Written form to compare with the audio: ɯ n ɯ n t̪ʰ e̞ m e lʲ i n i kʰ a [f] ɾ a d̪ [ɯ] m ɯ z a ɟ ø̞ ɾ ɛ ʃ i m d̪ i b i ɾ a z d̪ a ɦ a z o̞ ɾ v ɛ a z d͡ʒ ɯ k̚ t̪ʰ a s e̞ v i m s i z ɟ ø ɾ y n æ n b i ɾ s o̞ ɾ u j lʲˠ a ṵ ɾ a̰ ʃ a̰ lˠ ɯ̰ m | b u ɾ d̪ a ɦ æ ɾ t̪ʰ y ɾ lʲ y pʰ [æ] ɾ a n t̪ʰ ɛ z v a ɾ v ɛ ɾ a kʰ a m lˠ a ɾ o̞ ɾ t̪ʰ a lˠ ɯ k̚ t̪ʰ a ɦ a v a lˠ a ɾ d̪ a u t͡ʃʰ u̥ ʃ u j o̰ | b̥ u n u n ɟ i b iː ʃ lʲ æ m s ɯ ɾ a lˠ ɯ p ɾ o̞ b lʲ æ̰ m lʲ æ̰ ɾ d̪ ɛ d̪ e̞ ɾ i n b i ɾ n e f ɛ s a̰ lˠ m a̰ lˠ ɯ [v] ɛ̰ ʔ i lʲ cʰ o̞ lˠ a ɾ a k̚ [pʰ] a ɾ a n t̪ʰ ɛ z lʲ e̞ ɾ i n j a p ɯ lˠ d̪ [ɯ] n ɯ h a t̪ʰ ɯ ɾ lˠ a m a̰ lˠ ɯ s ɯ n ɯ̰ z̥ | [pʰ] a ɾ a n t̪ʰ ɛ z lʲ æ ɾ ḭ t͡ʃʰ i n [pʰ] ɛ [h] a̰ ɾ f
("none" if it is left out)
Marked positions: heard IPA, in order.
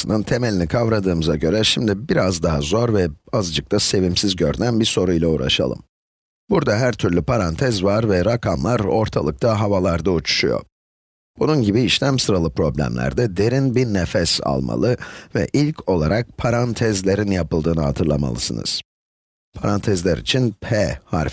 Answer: v, ɯː, a, v, pʰ, ɯː, pʰ, pʰ, h

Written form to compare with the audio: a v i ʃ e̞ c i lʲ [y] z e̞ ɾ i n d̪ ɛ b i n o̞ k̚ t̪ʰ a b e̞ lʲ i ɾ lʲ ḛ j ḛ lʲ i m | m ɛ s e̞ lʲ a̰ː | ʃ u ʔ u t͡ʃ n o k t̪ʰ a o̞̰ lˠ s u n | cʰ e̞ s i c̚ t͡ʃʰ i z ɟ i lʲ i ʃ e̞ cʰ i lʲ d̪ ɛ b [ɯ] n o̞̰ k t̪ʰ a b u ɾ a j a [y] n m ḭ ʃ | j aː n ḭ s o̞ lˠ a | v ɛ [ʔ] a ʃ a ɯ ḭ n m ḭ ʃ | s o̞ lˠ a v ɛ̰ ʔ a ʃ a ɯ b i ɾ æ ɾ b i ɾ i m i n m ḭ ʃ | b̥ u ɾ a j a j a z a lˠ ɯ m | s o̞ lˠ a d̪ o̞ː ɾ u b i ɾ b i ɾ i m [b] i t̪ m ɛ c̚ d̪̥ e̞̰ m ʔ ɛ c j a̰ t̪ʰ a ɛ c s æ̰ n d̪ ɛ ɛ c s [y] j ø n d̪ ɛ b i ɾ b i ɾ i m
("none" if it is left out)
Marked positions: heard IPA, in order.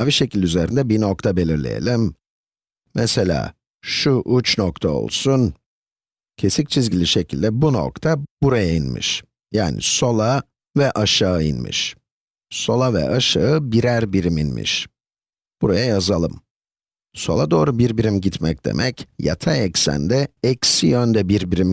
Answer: y, u, i, ʔ, ɟ, i

